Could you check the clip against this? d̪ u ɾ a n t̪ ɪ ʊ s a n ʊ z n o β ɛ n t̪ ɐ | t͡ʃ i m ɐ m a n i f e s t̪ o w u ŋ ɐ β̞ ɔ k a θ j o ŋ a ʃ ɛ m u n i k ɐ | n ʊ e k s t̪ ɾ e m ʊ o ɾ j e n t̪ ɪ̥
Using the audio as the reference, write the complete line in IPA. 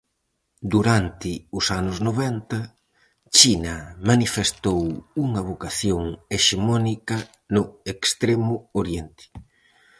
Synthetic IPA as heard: d̪ u ɾ a n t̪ ɪ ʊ s a n ʊ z n o β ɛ n t̪ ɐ | t͡ʃ i n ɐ m a n i f e s t̪ o w u ŋ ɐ β̞ o k a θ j o ŋ e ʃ e m ɔ n i k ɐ | n ʊ e k s t̪ ɾ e m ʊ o ɾ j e n t̪ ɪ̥